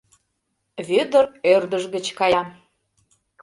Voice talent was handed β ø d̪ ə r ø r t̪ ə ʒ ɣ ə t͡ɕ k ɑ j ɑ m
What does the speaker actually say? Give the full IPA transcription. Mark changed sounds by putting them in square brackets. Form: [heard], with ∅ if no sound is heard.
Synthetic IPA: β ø d̪ ə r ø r [d̪] ə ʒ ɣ ə t͡ɕ k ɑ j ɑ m